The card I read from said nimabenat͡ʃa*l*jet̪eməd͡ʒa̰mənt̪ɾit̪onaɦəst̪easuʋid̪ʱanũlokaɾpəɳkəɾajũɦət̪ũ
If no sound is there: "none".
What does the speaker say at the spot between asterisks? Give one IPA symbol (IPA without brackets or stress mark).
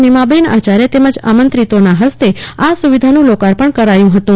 ɾ